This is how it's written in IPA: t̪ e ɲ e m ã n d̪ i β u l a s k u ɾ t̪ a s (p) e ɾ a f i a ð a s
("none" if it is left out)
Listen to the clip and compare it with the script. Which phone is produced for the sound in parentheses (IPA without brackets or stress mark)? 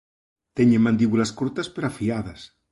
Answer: p